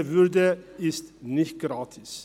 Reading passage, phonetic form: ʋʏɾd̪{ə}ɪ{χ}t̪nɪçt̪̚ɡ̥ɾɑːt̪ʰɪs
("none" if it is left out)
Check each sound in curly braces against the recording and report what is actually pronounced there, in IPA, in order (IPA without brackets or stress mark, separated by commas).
ə, s